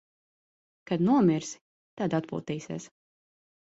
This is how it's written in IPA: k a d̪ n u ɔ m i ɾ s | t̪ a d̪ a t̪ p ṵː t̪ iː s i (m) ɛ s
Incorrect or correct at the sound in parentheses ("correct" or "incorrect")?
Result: incorrect